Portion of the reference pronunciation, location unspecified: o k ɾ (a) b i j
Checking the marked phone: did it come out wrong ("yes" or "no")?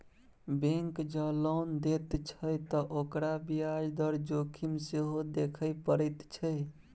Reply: no